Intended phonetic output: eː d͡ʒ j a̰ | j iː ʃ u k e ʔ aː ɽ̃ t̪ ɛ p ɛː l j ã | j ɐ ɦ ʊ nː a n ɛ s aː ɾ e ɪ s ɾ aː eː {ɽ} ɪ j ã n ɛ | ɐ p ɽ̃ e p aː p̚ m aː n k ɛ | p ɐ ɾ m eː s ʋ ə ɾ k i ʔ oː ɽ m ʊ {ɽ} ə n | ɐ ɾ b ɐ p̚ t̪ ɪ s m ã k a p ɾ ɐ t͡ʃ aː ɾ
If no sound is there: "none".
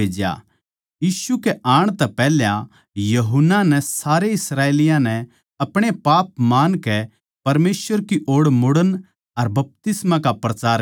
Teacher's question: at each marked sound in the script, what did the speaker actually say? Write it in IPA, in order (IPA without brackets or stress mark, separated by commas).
l, ɽ